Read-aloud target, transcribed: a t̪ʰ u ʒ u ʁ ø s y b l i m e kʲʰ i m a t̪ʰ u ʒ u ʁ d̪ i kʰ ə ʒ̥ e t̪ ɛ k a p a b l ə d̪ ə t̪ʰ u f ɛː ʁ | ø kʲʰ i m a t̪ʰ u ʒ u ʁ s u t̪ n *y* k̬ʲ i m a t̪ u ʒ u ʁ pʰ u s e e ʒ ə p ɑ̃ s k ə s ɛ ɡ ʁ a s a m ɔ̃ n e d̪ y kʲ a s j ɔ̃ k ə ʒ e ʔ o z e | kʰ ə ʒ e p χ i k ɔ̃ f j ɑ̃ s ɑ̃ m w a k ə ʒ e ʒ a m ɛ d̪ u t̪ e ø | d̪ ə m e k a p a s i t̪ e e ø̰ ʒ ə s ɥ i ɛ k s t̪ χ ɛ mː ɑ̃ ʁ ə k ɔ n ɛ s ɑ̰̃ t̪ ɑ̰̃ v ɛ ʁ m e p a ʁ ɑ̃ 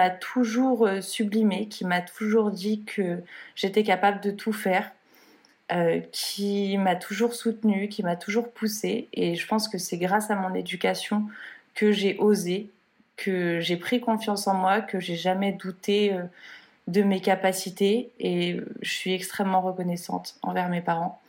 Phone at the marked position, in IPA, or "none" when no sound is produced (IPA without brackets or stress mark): y